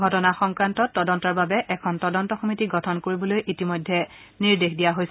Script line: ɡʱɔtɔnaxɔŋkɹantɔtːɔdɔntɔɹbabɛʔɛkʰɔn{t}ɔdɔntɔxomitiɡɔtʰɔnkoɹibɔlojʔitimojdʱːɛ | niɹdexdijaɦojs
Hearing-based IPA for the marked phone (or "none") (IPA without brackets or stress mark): t